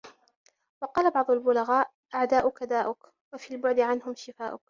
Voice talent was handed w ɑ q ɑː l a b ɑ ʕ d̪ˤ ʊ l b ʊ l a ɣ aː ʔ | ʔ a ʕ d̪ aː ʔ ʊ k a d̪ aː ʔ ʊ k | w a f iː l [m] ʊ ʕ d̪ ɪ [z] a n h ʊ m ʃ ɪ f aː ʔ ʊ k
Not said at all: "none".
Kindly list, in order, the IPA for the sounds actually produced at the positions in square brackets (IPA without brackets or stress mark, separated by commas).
b, ʕ